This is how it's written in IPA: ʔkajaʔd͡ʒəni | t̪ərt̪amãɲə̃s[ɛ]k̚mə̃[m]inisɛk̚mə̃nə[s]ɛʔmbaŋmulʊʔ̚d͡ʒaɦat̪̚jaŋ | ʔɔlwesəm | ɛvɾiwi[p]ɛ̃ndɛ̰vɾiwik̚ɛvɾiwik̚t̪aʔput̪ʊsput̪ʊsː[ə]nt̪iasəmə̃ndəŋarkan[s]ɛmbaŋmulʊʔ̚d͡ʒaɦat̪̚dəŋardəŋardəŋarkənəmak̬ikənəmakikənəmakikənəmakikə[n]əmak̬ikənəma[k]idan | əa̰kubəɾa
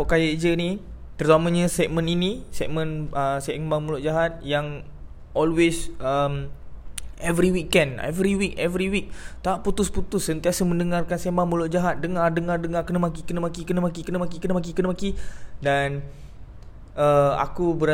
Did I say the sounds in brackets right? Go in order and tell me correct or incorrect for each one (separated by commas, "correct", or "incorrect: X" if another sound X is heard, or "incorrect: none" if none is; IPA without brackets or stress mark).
correct, incorrect: n, correct, incorrect: k, correct, correct, correct, correct